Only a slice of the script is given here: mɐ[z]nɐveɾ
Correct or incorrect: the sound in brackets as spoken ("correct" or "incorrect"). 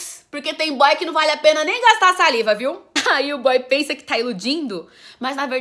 correct